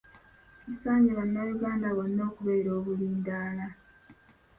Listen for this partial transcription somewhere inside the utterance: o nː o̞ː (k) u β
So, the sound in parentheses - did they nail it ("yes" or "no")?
yes